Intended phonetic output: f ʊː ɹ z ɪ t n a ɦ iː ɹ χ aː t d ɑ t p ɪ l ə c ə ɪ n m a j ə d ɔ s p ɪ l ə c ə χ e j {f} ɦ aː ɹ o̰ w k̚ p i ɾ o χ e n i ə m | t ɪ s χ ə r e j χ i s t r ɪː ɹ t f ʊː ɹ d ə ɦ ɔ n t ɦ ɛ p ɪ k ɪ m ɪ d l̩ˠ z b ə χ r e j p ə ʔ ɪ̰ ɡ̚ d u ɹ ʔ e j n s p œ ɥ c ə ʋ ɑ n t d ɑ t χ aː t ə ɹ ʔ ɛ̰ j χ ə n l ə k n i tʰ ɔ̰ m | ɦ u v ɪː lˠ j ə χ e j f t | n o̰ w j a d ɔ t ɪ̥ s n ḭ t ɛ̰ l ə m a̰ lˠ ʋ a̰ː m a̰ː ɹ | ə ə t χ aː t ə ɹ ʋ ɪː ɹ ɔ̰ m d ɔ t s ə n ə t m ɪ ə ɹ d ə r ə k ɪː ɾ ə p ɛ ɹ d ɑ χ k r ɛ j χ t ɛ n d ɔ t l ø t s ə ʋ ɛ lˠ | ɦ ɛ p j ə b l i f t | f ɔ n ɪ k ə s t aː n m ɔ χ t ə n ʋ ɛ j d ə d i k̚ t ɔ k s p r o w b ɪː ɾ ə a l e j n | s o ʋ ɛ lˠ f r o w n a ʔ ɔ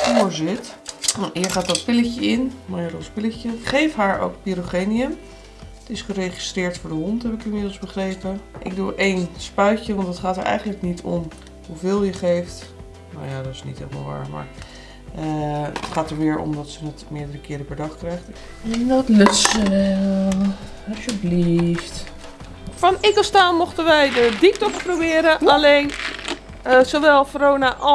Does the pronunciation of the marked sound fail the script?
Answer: no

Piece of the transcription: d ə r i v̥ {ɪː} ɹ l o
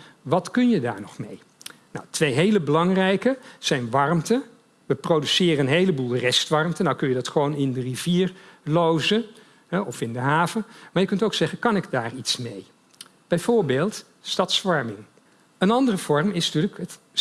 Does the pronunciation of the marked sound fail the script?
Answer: yes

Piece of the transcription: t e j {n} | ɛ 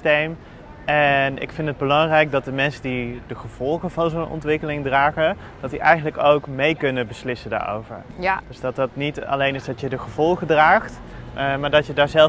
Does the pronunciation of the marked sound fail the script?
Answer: yes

